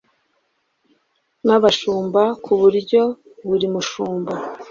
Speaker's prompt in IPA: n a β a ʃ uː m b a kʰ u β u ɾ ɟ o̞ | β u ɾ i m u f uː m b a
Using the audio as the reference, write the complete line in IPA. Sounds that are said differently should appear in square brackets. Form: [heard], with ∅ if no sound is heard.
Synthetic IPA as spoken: n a β a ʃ uː m b a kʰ u β u ɾ ɟ o̞ | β u ɾ i m u [ʃ] uː m b a